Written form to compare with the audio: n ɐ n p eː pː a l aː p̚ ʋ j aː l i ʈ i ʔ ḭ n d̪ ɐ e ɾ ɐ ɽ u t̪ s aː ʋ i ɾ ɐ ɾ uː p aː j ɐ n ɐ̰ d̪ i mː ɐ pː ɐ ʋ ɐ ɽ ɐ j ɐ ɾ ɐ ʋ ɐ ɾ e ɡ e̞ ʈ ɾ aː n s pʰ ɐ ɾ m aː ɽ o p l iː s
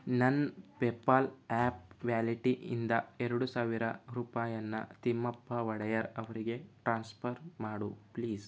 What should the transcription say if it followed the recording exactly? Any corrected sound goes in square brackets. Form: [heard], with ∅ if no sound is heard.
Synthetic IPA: n ɐ n p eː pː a l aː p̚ ʋ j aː l i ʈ i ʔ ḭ n d̪ ɐ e ɾ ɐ ɽ u [∅] s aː ʋ i ɾ ɐ ɾ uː p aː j ɐ [nː] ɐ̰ [t̪] i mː ɐ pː ɐ ʋ ɐ ɽ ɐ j ɐ ɾ ɐ ʋ ɐ ɾ [i] ɡ e̞ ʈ ɾ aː n s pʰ ɐ ɾ m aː ɽ [u] p l iː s